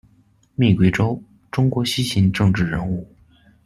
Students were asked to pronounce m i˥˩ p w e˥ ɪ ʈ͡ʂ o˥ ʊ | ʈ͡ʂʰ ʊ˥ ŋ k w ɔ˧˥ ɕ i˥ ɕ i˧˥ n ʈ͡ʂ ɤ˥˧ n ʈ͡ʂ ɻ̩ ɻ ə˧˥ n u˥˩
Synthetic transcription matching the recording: m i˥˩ k w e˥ ɪ ʈ͡ʂ o˥ ʊ | ʈ͡ʂ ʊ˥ ŋ k w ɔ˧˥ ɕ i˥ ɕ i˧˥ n ʈ͡ʂ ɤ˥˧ ŋ ʈ͡ʂ ɻ̩ ɻ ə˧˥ n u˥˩